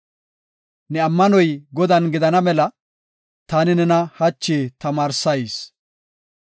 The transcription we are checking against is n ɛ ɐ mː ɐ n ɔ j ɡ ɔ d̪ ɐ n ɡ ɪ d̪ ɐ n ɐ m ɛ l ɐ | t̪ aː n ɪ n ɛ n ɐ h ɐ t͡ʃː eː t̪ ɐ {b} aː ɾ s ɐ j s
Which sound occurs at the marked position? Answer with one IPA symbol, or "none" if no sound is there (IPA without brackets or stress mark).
m